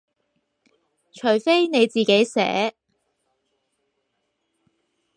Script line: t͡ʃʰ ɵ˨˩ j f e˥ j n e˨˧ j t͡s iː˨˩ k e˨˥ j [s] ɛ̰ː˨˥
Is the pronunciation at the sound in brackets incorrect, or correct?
correct